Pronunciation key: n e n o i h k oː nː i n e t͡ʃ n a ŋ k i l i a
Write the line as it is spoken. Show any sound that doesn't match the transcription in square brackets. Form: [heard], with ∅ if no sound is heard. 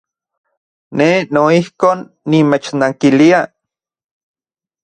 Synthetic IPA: n e n o i h k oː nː i [m] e t͡ʃ n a ŋ k i l i a